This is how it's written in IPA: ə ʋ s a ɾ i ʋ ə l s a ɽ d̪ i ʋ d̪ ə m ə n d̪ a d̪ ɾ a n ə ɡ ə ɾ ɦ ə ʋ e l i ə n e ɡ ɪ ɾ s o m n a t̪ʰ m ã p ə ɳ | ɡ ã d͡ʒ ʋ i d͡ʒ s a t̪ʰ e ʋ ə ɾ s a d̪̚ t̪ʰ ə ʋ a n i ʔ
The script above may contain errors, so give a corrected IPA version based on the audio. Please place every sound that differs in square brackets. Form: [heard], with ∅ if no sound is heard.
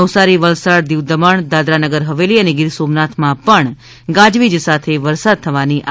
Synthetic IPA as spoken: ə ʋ s a ɾ i ʋ ə l s a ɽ d̪ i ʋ d̪ ə m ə [ɳ] d̪ a d̪ ɾ a n ə ɡ ə ɾ ɦ ə ʋ e l i ə n e ɡ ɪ ɾ s o m n a t̪ʰ m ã p ə ɳ | ɡ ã d͡ʒ ʋ i d͡ʒ s a t̪ʰ e ʋ ə ɾ s a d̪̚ t̪ʰ ə ʋ a n i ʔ